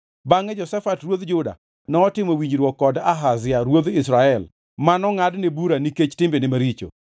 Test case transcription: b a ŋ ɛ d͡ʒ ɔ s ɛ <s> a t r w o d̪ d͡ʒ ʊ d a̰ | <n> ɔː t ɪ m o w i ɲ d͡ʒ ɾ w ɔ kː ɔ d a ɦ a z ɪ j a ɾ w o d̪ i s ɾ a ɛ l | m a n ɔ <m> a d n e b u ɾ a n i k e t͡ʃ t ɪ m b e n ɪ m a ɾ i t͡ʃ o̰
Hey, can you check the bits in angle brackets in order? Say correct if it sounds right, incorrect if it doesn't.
incorrect, correct, incorrect

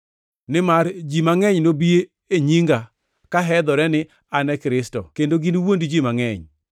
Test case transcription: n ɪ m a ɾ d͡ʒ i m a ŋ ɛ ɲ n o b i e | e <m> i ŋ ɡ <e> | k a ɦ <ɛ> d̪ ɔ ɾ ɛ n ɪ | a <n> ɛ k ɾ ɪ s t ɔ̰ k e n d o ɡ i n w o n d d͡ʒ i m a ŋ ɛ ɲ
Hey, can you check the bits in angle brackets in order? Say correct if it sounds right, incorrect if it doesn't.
incorrect, incorrect, correct, correct

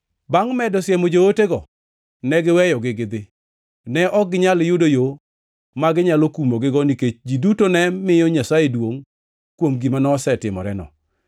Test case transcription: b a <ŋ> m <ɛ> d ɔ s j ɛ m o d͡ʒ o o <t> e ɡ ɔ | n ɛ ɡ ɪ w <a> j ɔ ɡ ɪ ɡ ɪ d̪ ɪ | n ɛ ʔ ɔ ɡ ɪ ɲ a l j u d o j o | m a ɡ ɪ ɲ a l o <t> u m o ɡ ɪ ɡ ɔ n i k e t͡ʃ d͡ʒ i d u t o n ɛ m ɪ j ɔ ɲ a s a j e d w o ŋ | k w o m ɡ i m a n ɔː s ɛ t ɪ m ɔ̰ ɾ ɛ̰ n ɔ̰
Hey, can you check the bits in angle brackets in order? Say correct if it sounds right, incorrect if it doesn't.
correct, correct, correct, incorrect, incorrect

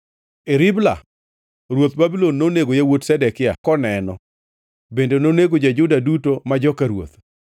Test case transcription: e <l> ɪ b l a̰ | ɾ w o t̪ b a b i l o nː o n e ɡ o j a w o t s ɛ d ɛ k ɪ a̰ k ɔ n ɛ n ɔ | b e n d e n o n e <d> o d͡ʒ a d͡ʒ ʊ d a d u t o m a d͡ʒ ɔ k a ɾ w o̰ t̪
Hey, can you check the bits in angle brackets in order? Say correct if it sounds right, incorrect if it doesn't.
incorrect, incorrect

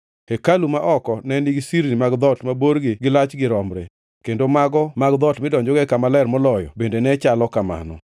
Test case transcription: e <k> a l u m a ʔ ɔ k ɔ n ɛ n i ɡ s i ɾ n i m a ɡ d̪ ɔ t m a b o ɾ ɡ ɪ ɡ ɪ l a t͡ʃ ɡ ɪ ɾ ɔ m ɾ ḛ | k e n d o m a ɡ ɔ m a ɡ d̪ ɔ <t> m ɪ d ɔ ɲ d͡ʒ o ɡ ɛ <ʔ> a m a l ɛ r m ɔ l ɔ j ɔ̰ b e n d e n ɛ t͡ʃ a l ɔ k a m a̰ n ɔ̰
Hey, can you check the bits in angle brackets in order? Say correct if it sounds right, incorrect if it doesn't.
correct, correct, incorrect

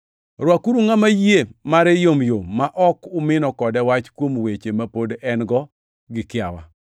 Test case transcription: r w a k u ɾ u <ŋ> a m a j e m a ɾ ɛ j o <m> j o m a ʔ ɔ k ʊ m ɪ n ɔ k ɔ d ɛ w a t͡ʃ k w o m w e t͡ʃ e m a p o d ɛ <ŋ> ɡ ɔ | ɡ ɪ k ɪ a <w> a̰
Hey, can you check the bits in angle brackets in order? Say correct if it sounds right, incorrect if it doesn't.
correct, correct, incorrect, correct

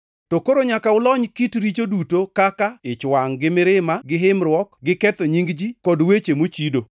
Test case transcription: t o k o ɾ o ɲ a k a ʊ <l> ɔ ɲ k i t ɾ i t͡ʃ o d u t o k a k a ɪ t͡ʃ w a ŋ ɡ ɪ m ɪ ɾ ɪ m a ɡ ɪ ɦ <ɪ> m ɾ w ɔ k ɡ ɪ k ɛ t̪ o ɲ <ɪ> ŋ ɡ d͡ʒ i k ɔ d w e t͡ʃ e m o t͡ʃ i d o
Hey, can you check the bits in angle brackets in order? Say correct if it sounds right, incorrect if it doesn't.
correct, correct, incorrect

